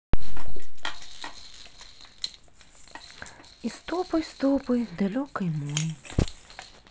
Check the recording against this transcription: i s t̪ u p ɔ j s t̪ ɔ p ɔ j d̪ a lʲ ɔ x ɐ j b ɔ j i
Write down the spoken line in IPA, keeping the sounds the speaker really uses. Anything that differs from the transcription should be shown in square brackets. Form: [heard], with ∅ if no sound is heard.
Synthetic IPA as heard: i s t̪ [ɔ] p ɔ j s t̪ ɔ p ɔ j d̪ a lʲ ɔ [k] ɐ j [m] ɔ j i